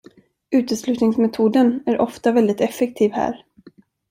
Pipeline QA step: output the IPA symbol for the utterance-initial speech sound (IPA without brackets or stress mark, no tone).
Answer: ʉ̟ː